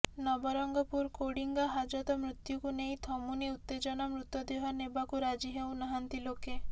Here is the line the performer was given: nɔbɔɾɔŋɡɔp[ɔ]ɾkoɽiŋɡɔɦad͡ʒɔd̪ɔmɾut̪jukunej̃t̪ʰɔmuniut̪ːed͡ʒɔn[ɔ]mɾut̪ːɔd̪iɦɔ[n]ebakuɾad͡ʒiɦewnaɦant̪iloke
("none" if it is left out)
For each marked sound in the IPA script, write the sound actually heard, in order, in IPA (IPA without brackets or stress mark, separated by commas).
u, ɔ, n